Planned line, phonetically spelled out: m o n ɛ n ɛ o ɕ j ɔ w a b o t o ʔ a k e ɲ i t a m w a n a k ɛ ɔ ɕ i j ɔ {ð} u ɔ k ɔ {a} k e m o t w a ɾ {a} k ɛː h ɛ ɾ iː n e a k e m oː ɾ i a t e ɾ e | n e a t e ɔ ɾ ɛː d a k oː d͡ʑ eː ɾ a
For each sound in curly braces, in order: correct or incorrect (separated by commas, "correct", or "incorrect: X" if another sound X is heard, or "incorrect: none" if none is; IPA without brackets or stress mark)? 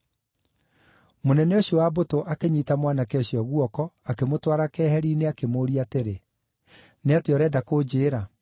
incorrect: ɣ, correct, correct